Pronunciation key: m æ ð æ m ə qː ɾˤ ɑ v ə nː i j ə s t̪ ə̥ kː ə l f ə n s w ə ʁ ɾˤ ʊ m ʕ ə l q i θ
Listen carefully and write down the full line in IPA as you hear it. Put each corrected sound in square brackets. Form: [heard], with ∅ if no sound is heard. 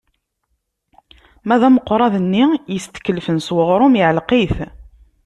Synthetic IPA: m æ ð æ m ə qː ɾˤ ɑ [ð] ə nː i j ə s t̪ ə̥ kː ə l f ə n s w ə ʁ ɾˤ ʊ m ʕ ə l q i θ